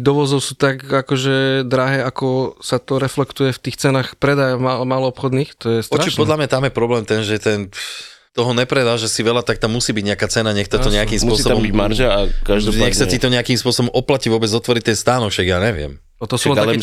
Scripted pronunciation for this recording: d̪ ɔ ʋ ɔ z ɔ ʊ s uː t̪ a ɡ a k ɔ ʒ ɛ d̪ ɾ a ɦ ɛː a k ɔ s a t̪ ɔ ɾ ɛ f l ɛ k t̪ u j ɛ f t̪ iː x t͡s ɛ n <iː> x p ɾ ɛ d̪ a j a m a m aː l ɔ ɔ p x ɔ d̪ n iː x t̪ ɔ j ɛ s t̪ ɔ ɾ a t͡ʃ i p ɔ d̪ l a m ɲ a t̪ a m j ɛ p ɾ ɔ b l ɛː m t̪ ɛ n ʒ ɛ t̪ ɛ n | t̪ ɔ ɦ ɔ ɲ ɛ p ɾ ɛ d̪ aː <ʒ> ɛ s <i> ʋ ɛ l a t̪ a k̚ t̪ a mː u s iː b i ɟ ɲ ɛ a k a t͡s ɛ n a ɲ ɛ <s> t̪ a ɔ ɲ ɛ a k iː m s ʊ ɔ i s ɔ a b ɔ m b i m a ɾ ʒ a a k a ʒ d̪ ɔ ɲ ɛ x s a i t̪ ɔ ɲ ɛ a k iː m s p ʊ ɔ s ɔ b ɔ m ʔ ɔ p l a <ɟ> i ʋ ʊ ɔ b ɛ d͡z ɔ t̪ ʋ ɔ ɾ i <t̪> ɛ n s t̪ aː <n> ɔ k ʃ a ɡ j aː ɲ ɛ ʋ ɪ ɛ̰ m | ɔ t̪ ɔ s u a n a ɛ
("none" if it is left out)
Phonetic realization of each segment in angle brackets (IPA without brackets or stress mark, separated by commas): aː, ʒ, i, x, c, t̪, n